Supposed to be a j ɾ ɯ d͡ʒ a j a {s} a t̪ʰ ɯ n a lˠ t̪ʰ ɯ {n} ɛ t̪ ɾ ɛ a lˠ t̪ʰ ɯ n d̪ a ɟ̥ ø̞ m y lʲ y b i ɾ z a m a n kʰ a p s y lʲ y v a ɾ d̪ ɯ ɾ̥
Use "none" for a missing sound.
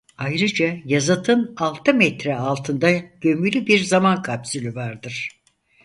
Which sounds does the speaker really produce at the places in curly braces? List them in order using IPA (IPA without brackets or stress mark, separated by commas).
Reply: z, m